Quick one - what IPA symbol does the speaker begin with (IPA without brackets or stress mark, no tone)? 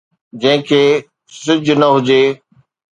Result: d͡ʑ